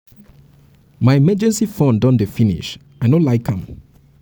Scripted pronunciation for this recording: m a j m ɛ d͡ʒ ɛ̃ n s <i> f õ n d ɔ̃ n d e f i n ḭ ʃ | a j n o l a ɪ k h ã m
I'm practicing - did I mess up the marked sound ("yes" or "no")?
no